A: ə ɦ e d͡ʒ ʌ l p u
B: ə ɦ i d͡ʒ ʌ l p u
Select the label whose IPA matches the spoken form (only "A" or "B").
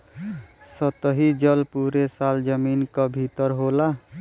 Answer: B